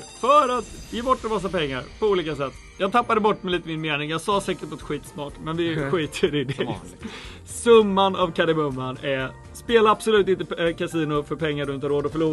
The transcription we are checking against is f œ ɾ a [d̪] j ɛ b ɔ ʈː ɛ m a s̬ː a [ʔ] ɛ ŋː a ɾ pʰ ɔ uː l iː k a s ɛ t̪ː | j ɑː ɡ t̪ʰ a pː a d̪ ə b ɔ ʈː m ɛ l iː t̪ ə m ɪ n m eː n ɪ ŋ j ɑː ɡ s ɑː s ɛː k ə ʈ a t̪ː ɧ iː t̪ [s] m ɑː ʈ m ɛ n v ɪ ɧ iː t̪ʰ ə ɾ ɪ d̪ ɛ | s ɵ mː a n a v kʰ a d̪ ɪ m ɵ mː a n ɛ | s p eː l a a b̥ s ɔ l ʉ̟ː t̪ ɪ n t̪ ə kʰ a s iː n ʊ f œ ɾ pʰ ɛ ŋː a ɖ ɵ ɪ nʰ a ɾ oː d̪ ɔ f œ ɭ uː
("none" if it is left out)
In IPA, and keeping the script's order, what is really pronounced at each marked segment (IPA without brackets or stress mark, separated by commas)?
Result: t̪, p, s